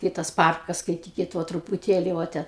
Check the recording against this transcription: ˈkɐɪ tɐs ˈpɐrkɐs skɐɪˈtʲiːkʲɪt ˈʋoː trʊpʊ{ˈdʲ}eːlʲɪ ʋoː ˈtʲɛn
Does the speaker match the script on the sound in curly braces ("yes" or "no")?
no